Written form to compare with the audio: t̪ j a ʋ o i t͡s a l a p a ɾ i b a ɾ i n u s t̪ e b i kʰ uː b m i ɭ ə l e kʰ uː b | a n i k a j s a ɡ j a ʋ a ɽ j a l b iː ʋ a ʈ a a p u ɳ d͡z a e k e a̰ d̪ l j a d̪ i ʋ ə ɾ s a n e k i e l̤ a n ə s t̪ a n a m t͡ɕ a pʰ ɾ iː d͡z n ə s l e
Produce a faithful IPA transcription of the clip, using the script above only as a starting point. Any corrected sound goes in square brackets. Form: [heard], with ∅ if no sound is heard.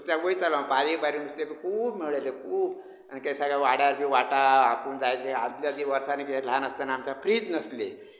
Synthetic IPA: t̪ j a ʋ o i t͡s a l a p a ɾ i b a ɾ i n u s t̪ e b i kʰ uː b m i ɭ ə l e kʰ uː b | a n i k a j s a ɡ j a ʋ a ɽ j a [ɾ] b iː ʋ a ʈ a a p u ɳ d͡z a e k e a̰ d̪ l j a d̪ i ʋ ə ɾ s a n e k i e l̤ a n ə s t̪ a n a m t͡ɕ a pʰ ɾ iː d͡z n ə s l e